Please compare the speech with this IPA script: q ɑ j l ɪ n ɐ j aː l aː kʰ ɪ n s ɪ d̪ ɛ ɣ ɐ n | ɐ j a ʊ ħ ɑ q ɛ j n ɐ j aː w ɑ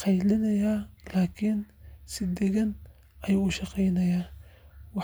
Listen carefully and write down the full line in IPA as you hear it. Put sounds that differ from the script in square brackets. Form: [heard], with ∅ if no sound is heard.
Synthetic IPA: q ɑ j l ɪ n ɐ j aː l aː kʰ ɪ n s ɪ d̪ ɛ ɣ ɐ n | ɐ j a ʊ [ʃ] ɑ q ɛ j n ɐ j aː w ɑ